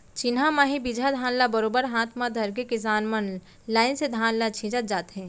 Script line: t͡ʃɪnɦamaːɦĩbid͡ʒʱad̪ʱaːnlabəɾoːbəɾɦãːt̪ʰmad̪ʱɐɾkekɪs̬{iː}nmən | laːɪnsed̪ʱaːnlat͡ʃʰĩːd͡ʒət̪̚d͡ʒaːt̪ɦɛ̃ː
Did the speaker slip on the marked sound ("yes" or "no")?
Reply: yes